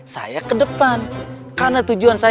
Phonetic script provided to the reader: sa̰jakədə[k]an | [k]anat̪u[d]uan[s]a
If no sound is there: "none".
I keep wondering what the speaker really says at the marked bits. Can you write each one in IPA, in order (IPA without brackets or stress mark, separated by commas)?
p, k, d͡ʒ, s